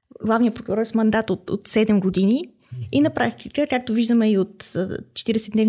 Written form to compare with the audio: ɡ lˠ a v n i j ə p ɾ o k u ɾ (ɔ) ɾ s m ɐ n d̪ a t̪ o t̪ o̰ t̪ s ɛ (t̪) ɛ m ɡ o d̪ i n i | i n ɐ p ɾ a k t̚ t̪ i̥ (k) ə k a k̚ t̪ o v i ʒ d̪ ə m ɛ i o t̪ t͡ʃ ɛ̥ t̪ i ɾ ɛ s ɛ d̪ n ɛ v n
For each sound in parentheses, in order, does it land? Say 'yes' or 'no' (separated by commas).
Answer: yes, no, yes